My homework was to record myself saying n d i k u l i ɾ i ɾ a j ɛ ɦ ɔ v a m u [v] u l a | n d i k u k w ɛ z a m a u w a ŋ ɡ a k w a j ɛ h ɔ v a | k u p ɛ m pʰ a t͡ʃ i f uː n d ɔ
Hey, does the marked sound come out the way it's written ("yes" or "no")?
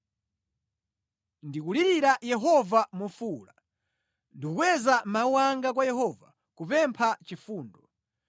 no